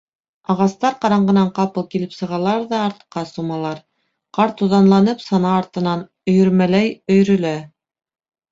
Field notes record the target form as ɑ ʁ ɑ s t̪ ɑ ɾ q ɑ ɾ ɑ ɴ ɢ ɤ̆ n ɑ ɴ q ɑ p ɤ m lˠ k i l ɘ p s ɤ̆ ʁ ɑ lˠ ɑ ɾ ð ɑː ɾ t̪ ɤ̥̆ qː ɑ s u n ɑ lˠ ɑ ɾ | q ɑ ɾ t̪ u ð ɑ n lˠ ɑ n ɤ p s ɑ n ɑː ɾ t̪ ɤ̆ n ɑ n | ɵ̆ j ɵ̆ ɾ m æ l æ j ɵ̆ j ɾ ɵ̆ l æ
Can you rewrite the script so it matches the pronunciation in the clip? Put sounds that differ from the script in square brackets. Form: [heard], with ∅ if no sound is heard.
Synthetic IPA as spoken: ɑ ʁ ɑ s t̪ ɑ ɾ q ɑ ɾ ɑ ɴ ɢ ɤ̆ n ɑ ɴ q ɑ p ɤ [∅] lˠ k i l ɘ p s ɤ̆ ʁ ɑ lˠ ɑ ɾ ð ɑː ɾ t̪ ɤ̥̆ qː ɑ s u [m] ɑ lˠ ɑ ɾ | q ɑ ɾ t̪ u ð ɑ n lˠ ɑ n ɤ p s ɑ n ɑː ɾ t̪ ɤ̆ n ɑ n | ɵ̆ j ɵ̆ ɾ m æ l æ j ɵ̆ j ɾ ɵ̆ l æ